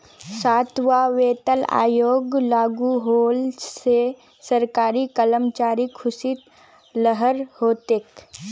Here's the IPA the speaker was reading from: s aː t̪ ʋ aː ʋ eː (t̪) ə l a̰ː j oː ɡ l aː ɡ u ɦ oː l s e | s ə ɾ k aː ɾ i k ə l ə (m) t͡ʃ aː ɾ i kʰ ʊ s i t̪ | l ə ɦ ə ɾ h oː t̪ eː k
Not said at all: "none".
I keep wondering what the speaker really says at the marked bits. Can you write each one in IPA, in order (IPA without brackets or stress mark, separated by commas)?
t̪, m